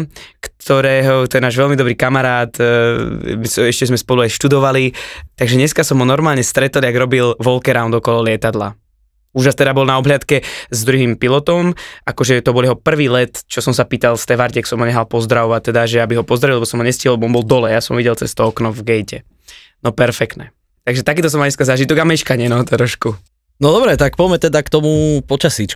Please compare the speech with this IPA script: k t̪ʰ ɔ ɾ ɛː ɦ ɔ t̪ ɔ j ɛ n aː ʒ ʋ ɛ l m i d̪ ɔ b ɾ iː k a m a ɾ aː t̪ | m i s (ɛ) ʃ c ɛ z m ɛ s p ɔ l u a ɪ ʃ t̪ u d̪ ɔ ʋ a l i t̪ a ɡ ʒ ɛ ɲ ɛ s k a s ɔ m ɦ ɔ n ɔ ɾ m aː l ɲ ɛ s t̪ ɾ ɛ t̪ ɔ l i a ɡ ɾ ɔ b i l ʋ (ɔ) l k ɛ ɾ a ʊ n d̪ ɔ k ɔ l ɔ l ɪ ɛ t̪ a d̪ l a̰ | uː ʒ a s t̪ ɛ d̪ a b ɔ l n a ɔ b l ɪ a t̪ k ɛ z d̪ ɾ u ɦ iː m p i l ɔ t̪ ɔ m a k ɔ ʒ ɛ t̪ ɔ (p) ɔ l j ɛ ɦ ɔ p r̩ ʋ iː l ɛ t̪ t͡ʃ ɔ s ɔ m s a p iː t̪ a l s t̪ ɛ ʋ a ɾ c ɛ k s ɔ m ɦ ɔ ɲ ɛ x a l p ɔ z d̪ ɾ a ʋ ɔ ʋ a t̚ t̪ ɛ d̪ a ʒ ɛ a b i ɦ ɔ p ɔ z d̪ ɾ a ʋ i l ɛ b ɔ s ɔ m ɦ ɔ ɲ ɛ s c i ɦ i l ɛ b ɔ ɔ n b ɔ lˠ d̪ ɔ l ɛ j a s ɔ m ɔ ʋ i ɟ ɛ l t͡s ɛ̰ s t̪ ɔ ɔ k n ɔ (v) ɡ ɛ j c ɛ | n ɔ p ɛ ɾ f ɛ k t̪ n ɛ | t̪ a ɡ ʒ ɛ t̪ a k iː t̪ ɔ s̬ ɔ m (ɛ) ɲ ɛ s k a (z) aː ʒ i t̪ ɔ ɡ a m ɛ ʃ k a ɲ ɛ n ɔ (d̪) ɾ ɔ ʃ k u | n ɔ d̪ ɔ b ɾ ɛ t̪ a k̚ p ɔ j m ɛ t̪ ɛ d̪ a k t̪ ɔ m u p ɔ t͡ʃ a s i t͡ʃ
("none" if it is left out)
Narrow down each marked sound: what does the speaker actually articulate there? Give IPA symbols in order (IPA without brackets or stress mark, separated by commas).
ɛ, ɔ, b, v, a, z, t̪